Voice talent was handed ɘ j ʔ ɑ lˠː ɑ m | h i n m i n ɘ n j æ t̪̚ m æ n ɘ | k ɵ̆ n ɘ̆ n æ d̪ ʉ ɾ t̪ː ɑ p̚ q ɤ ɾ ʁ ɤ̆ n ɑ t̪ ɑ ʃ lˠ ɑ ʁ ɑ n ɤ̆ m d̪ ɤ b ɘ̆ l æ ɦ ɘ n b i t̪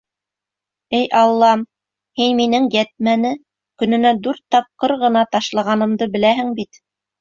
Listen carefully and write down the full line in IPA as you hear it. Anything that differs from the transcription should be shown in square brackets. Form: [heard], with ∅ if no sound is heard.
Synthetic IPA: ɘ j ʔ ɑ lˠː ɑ m | h i n m i n ɘ [ŋ] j æ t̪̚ m æ n ɘ | k ɵ̆ n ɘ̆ n æ d̪ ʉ ɾ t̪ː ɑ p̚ q ɤ ɾ ʁ ɤ̆ n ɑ t̪ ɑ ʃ lˠ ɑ ʁ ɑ n ɤ̆ m d̪ ɤ b ɘ̆ l æ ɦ ɘ [ŋ] b i t̪